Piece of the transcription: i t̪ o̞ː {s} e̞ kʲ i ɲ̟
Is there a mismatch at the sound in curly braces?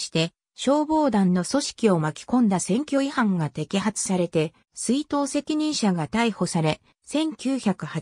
no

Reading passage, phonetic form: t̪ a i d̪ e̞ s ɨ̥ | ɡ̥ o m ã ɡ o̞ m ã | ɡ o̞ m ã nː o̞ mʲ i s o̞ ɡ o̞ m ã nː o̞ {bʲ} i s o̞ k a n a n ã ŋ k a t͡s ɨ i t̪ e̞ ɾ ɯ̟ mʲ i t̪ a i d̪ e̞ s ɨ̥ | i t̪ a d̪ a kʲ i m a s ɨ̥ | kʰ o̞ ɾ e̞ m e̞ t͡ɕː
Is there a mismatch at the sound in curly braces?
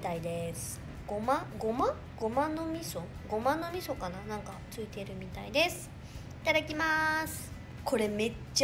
yes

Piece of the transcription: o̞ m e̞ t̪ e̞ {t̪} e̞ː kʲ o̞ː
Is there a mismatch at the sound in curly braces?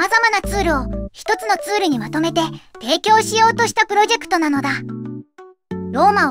no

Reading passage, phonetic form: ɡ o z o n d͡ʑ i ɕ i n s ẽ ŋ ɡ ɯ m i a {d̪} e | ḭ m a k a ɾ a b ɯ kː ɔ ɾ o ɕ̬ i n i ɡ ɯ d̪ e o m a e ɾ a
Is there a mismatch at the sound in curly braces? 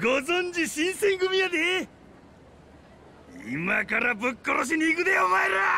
no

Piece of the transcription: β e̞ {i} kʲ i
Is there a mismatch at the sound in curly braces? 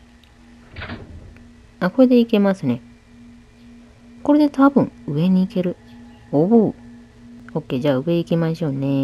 no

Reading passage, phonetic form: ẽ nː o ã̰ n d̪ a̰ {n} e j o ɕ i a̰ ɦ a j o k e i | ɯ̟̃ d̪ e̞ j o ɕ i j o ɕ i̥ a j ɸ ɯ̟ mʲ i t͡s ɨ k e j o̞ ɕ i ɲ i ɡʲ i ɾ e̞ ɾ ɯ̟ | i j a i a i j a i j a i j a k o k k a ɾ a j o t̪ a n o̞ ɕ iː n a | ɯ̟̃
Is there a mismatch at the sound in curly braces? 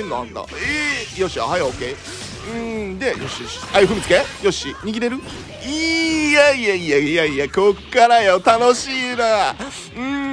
yes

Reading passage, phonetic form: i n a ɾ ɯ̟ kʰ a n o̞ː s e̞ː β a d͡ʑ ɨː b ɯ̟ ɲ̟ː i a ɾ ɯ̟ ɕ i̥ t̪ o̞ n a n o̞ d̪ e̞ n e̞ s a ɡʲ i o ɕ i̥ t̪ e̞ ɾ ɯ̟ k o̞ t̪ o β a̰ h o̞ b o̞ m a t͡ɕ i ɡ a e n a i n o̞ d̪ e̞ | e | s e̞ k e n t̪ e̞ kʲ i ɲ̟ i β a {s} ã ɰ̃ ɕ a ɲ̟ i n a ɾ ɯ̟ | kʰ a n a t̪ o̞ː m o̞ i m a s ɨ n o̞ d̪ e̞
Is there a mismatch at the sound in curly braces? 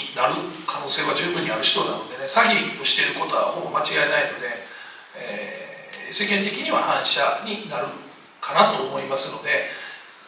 yes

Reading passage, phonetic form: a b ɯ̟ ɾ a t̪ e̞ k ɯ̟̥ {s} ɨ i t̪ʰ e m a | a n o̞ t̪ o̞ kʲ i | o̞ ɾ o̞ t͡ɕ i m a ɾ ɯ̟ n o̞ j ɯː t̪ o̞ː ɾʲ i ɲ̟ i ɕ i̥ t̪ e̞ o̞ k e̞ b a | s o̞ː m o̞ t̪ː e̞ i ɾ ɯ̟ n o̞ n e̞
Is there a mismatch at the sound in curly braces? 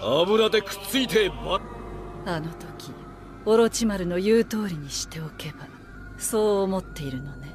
yes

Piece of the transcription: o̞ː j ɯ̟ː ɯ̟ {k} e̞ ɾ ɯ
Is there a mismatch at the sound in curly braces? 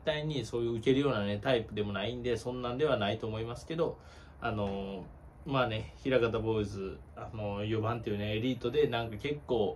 no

